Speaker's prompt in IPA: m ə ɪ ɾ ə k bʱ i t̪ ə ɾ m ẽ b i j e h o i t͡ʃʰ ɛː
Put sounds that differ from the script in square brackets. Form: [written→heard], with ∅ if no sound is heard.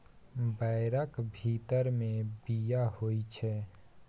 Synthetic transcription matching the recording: [m→b] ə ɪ ɾ ə k bʱ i t̪ ə ɾ m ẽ b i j [e→a] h o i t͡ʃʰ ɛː